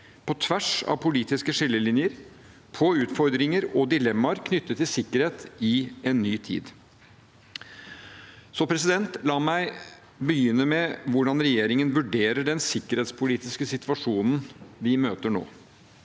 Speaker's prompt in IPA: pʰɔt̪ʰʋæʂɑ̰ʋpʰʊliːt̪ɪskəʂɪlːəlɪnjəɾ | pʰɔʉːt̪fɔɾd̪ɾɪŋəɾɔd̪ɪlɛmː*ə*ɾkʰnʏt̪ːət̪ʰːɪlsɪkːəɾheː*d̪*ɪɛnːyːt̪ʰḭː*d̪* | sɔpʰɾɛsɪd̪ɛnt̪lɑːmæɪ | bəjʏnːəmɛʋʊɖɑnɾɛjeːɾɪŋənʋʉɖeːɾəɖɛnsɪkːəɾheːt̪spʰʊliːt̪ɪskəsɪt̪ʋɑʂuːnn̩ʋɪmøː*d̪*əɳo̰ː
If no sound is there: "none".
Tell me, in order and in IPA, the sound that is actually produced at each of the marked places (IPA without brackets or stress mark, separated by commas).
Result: ɑ, t̪, d̪, t̪